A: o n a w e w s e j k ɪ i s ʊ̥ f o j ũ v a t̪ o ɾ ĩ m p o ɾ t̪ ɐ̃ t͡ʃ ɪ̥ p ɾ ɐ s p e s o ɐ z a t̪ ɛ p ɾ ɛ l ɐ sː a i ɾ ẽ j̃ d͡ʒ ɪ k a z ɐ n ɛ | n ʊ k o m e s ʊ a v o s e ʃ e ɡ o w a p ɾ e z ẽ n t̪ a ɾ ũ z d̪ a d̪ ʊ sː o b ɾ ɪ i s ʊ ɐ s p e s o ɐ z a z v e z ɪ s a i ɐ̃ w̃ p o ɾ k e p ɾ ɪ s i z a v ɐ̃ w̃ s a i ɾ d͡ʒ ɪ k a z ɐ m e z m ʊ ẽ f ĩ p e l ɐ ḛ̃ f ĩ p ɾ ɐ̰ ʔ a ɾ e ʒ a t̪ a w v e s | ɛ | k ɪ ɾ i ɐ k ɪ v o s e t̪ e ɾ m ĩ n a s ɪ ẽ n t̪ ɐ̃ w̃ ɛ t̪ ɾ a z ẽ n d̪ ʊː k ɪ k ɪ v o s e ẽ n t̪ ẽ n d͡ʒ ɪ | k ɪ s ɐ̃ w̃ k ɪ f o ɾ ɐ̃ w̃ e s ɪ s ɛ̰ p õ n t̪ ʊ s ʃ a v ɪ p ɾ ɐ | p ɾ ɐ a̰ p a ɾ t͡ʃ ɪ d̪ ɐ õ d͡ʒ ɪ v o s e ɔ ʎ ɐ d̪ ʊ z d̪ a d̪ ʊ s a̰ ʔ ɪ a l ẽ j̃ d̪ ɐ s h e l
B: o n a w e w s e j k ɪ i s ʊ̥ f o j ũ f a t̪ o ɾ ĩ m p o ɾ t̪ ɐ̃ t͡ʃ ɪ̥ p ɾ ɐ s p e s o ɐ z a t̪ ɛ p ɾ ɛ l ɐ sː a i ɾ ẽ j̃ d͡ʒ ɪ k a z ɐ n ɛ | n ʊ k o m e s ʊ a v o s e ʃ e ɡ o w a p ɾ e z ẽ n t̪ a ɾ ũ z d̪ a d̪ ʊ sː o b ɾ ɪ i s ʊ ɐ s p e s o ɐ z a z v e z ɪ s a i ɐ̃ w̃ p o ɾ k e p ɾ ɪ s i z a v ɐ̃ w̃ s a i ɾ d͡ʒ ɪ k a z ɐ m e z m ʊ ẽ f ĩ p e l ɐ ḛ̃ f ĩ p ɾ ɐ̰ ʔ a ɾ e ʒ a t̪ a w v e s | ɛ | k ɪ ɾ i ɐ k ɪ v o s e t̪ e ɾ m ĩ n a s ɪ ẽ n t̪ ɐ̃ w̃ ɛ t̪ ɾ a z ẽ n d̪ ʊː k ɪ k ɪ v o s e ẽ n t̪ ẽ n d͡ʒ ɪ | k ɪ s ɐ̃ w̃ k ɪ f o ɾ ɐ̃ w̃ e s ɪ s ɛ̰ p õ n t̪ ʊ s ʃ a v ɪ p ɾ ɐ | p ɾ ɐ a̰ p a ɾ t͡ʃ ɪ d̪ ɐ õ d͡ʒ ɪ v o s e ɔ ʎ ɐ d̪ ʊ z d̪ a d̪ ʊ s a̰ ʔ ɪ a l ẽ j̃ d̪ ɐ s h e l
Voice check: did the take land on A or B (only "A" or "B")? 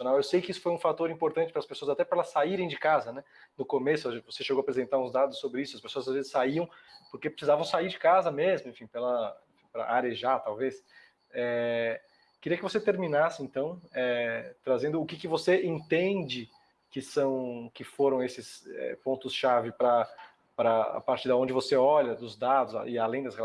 B